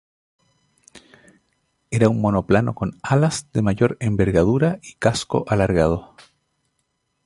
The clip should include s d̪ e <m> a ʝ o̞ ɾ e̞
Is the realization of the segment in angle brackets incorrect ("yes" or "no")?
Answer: no